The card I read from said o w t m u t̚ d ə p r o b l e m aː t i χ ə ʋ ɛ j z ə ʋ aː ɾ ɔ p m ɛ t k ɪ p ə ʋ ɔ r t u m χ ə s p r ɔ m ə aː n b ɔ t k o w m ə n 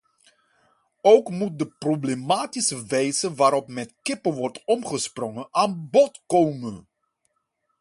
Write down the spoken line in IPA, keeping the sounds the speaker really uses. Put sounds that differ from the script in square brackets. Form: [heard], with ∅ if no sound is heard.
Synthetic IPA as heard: o w [k] m u t̚ d ə p r o b l e m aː t i [s] ə ʋ ɛ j z ə ʋ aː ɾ ɔ p m ɛ t k ɪ p ə ʋ ɔ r t [ɔ] m χ ə s p r ɔ [ŋ] ə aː n b ɔ t k o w m ə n